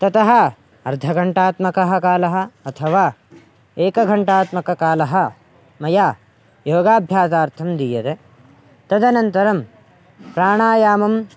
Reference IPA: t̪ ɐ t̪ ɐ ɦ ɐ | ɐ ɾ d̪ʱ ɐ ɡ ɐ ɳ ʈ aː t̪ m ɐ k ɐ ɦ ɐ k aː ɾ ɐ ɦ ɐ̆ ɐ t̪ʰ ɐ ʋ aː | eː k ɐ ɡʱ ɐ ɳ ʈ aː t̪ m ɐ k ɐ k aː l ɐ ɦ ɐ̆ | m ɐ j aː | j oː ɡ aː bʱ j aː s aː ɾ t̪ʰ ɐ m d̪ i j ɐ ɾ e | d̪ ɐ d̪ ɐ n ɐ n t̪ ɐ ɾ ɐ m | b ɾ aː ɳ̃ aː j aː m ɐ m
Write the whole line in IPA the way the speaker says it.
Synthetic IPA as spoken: t̪ ɐ t̪ ɐ ɦ ɐ | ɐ ɾ d̪ʱ ɐ ɡ ɐ ɳ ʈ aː t̪ m ɐ k ɐ ɦ ɐ k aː l ɐ ɦ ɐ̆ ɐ t̪ʰ ɐ ʋ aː | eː k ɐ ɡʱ ɐ ɳ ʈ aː t̪ m ɐ k ɐ k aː l ɐ ɦ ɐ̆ | m ɐ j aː | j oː ɡ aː bʱ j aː s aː ɾ t̪ʰ ɐ m d̪ i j ɐ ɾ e | t̪ ɐ d̪ ɐ n ɐ n t̪ ɐ ɾ ɐ m | p ɾ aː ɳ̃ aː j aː m ɐ m